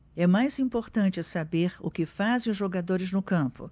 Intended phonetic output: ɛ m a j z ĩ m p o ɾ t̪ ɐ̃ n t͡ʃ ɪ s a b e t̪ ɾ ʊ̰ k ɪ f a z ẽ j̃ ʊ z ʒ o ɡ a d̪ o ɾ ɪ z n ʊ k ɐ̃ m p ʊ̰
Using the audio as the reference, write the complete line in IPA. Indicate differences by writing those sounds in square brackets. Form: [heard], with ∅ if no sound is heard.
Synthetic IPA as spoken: ɛ m a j z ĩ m p o ɾ t̪ ɐ̃ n t͡ʃ ɪ s a b e [∅] ɾ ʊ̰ k ɪ f a z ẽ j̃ ʊ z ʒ o ɡ a d̪ o ɾ ɪ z n ʊ k ɐ̃ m p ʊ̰

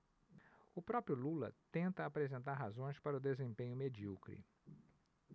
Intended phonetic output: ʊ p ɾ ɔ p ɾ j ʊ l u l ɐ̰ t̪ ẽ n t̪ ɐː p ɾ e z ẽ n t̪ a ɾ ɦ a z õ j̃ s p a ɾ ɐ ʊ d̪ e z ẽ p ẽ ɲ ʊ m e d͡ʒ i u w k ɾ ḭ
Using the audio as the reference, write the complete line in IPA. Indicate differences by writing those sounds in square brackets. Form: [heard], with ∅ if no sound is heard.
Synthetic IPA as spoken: ʊ p ɾ ɔ p ɾ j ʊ l u l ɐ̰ t̪ ẽ n t̪ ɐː p ɾ e z ẽ n t̪ a ɾ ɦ a z õ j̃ s p a ɾ ɐ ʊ d̪ e z ẽ p ẽ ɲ ʊ m e d͡ʒ i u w k ɾ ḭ

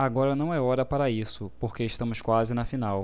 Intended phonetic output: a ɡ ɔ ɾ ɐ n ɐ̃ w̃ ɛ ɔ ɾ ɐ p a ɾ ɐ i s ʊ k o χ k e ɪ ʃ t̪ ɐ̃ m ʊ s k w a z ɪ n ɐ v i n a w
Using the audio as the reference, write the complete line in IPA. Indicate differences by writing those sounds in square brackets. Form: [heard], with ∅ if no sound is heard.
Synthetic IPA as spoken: a ɡ ɔ ɾ ɐ n ɐ̃ w̃ ɛ ɔ ɾ ɐ p a ɾ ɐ i s ʊ [p] o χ k e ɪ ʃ t̪ ɐ̃ m ʊ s k w a z ɪ n ɐ [f] i n a w

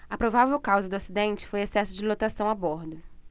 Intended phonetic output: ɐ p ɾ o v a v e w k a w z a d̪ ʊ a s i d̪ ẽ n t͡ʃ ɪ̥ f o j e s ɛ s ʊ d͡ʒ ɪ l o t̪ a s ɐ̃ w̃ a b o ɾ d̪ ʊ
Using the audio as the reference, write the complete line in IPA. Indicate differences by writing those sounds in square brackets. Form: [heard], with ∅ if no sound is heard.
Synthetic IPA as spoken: ɐ p ɾ o v a v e w k a w z [ɐ] d̪ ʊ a s i d̪ ẽ n t͡ʃ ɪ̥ f o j e s ɛ s ʊ d͡ʒ ɪ l o t̪ a s ɐ̃ w̃ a b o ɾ d̪ ʊ

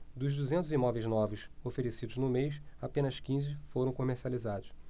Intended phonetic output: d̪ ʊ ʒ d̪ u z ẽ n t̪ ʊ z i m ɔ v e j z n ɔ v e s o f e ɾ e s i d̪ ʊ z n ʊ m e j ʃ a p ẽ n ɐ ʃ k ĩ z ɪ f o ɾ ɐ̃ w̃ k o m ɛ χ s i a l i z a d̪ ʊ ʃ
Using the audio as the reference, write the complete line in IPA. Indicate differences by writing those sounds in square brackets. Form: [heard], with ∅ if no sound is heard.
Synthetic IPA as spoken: d̪ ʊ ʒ d̪ u z ẽ n t̪ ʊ z i m ɔ v e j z n ɔ v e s o f e ɾ e s i d̪ ʊ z n ʊ m e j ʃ a p ẽ n ɐ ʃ k ĩ z ɪ f o ɾ ɐ̃ w̃ k o m [e] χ s i a l i z a d̪ ʊ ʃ

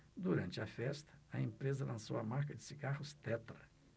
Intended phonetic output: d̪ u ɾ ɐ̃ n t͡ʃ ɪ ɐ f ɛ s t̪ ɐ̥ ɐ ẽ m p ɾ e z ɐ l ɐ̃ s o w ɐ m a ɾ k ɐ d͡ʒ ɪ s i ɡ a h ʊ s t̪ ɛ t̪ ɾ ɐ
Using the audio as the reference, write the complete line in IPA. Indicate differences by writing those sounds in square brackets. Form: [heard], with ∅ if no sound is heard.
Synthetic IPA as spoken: d̪ u ɾ ɐ̃ n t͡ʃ ɪ ɐ f ɛ s t̪ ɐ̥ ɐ ẽ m p ɾ e z ɐ l ɐ̃ s o w ɐ m a ɾ k ɐ d͡ʒ ɪ s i ɡ a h ʊ s t̪ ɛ t̪ ɾ ɐ

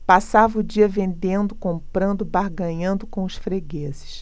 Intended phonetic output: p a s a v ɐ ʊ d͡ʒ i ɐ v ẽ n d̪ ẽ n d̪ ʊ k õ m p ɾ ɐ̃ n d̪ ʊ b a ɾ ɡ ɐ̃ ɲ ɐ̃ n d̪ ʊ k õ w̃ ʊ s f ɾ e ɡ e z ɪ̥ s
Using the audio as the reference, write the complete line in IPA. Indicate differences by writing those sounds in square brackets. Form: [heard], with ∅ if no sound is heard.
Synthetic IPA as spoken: p a s a v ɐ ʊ d͡ʒ i ɐ v ẽ n d̪ ẽ n d̪ ʊ k õ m p ɾ ɐ̃ n d̪ ʊ b a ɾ ɡ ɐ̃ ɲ ɐ̃ n d̪ ʊ k õ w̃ ʊ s f ɾ e ɡ e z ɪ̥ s

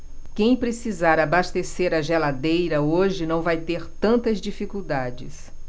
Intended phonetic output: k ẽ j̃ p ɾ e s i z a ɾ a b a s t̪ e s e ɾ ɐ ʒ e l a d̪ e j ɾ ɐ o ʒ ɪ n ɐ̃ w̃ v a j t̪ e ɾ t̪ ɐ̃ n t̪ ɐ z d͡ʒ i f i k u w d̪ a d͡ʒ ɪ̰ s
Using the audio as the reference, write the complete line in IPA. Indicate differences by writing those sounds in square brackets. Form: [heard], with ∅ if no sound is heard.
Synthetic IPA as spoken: k ẽ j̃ p ɾ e s i z a ɾ a b a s t̪ e s e ɾ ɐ ʒ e l a d̪ e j ɾ ɐ o ʒ ɪ n ɐ̃ w̃ v a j t̪ e ɾ t̪ ɐ̃ n t̪ ɐ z d͡ʒ i f i k u w d̪ a d͡ʒ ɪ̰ s

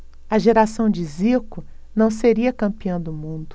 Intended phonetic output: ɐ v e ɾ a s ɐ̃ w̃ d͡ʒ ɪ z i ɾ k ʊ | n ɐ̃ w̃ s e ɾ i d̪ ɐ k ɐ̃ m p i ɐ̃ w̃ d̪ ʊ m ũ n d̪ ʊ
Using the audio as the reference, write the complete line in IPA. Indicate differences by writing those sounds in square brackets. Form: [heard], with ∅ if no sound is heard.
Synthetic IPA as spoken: ɐ [ʒ] e ɾ a s ɐ̃ w̃ d͡ʒ ɪ z i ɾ k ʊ | n ɐ̃ w̃ s e ɾ i [∅] ɐ k ɐ̃ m p i ɐ̃ w̃ d̪ ʊ m ũ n d̪ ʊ

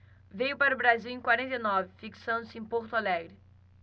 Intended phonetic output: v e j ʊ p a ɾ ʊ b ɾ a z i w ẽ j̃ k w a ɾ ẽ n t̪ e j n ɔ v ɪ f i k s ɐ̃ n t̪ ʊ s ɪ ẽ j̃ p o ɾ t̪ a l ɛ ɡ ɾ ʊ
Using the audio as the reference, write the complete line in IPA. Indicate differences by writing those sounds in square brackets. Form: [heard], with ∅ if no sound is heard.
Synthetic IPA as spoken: v e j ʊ p a ɾ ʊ b ɾ a z i w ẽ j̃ k w a ɾ ẽ n t̪ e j n ɔ v ɪ f i k s ɐ̃ n [d̪] ʊ s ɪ ẽ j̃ p o ɾ t̪ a l ɛ ɡ ɾ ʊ

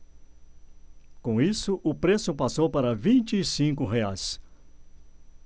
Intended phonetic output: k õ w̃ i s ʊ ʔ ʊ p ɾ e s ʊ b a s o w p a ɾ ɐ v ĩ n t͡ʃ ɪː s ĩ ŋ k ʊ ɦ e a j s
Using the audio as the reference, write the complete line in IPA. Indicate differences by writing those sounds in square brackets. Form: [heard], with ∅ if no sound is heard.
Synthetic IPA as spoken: k õ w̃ i s ʊ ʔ ʊ p ɾ e s ʊ [p] a s o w p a ɾ ɐ v ĩ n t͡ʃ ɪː s ĩ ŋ k ʊ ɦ e a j s

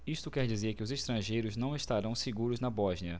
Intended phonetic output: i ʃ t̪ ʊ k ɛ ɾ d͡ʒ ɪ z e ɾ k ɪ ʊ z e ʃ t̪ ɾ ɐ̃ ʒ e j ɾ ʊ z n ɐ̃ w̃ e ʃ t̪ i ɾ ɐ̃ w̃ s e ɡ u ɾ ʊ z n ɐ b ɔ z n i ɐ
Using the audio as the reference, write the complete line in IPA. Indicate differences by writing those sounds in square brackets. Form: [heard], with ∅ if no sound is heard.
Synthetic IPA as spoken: i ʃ t̪ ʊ k ɛ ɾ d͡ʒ [i] z e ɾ k ɪ ʊ z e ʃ t̪ ɾ ɐ̃ ʒ e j ɾ ʊ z n ɐ̃ w̃ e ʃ t̪ [a] ɾ ɐ̃ w̃ s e ɡ u ɾ ʊ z n ɐ b ɔ [ʒ] n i ɐ

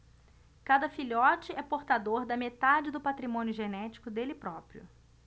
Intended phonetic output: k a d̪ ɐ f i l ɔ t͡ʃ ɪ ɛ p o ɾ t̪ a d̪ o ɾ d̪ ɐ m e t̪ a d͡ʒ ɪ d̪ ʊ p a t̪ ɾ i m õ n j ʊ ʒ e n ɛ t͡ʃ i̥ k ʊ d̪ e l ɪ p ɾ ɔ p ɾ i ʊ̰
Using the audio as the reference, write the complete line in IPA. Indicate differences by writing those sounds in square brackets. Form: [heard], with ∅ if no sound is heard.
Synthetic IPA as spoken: k a d̪ ɐ f i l ɔ t͡ʃ ɪ ɛ p o ɾ t̪ a d̪ o ɾ d̪ ɐ m e t̪ a d͡ʒ ɪ d̪ ʊ p a t̪ ɾ i m õ n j ʊ ʒ e n ɛ t͡ʃ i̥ k ʊ d̪ e l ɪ p ɾ ɔ p ɾ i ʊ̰

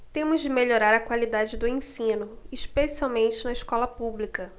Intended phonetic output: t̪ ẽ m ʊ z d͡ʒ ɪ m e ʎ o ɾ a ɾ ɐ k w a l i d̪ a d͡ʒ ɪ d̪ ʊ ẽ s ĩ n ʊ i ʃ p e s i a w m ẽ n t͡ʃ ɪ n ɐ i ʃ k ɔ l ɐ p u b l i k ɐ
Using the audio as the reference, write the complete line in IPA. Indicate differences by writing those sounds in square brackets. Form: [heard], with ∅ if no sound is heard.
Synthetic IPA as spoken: t̪ ẽ m ʊ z d͡ʒ ɪ m e ʎ o ɾ a ɾ ɐ k w a l i d̪ a d͡ʒ ɪ d̪ ʊ ẽ s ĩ n ʊ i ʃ p e s i a w m ẽ n t͡ʃ ɪ n ɐ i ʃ k ɔ l ɐ p u b l i k ɐ

